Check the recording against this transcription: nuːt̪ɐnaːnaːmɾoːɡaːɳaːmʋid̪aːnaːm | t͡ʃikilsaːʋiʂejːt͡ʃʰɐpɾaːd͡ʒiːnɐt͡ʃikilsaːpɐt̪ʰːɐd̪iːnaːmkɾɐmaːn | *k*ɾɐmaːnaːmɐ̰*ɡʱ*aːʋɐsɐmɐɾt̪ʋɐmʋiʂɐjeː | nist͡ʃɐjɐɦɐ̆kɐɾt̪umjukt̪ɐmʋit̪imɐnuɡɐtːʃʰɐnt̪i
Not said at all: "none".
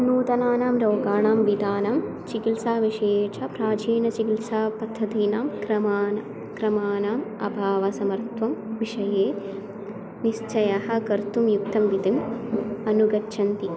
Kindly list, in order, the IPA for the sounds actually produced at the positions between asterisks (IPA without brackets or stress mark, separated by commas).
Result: k, bʱ